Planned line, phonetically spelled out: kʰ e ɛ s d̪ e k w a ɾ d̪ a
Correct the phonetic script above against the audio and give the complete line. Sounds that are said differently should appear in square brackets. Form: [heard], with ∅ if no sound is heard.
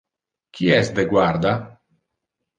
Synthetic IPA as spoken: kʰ [i] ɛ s d̪ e [ɡ] w a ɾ d̪ a